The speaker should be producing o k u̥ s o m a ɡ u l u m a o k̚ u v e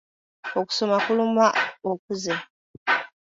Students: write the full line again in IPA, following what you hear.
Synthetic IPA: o k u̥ s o m a k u l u m a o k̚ u z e